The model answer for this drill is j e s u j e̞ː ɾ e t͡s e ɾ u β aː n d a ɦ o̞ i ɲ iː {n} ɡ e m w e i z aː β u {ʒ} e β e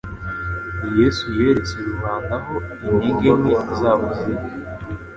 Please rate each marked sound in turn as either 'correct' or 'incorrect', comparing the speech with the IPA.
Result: incorrect, incorrect

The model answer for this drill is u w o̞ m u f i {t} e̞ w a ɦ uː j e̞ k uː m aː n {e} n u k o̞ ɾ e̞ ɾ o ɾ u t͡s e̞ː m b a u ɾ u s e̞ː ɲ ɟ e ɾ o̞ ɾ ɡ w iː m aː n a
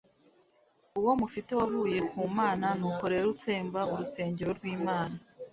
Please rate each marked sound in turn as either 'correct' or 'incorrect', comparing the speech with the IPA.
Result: correct, incorrect

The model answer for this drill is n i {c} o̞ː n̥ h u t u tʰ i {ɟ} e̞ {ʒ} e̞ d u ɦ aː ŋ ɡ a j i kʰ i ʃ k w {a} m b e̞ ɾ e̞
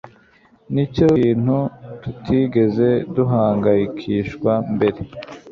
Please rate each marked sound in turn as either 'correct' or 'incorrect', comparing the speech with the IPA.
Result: correct, incorrect, incorrect, correct

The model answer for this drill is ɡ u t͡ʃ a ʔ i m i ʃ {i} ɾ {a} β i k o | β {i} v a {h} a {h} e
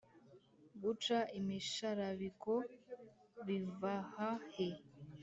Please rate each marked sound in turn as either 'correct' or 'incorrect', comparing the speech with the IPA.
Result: incorrect, correct, correct, correct, correct

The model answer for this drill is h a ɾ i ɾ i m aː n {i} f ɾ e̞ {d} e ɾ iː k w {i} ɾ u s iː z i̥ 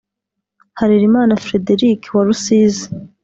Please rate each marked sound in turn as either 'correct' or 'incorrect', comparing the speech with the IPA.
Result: incorrect, correct, incorrect

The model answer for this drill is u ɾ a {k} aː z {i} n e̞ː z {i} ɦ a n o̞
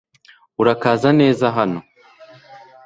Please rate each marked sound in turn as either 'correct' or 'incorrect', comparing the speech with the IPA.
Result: correct, incorrect, incorrect

